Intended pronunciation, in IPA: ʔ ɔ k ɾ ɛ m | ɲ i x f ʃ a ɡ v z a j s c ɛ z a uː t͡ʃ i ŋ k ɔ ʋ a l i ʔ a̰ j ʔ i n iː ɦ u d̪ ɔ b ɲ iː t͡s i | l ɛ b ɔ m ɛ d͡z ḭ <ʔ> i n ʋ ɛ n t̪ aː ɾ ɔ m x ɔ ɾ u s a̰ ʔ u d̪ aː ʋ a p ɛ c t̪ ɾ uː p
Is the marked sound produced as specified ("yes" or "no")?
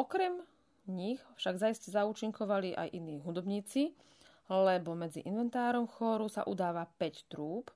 yes